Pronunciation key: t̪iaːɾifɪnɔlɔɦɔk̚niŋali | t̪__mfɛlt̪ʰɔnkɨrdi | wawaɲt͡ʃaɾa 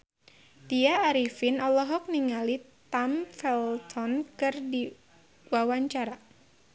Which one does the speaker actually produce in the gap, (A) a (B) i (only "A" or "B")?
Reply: A